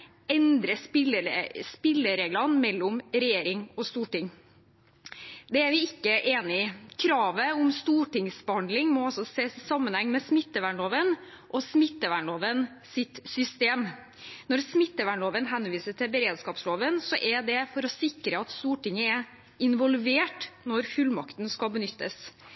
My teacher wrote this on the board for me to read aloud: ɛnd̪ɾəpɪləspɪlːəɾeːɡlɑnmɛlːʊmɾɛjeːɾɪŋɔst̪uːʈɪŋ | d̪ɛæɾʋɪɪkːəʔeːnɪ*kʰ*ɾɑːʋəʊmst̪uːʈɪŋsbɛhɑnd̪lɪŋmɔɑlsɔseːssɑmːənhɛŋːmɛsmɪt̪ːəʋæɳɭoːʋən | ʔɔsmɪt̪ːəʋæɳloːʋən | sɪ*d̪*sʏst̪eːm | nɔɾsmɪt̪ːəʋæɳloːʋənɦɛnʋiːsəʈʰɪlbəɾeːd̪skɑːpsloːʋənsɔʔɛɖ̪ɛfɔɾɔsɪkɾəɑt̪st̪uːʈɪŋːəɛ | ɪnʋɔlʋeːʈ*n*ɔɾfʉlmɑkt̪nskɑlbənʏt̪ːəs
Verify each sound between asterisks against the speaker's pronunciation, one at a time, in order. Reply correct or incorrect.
correct, incorrect: t̪, correct

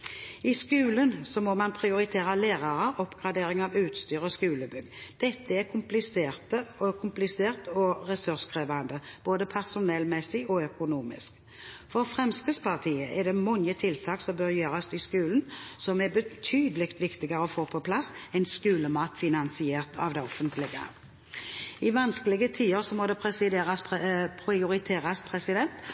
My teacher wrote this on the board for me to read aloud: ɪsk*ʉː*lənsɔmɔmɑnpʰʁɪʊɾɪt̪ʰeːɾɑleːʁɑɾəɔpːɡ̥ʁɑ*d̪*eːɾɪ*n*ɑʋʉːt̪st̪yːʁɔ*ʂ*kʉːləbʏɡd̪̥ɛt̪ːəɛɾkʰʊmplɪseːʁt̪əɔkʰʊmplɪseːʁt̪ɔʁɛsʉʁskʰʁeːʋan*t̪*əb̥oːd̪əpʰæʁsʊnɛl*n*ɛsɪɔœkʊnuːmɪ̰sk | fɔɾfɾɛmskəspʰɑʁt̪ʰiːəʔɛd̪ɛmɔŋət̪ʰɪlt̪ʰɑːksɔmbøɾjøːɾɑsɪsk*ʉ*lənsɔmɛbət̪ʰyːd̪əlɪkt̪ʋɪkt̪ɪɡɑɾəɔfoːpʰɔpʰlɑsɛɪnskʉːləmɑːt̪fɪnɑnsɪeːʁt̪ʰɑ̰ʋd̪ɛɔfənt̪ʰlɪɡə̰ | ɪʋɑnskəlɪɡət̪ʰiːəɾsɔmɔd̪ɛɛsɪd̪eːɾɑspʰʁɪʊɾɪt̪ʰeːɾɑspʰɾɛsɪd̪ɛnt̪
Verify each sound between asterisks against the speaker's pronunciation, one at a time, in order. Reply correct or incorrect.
correct, correct, incorrect: ŋ, incorrect: s, incorrect: d̪, incorrect: m, incorrect: ʉː

